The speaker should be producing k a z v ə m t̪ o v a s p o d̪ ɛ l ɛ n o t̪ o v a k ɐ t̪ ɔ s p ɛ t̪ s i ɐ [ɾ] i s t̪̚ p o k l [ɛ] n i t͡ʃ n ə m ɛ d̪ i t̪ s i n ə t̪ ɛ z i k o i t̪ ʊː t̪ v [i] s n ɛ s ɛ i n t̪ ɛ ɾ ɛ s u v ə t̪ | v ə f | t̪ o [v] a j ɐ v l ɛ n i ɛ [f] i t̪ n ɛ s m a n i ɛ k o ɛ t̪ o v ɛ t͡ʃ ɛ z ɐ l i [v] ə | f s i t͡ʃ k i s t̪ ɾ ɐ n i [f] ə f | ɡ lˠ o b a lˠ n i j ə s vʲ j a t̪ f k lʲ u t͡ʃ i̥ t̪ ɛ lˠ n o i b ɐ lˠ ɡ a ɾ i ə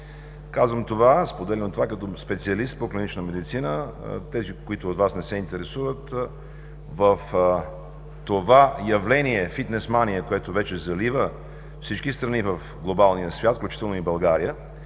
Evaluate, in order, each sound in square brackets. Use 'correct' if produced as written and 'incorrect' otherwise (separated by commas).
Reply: incorrect, incorrect, incorrect, correct, correct, correct, incorrect